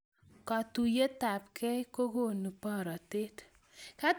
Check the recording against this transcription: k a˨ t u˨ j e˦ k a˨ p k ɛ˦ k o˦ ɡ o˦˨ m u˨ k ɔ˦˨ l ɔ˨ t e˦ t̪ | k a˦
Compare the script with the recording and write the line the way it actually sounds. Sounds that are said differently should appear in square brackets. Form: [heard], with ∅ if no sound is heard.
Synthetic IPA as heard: k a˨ t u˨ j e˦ [t] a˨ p k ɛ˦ k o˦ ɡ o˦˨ [n] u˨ [p] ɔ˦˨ [ɾ] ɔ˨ t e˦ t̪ | k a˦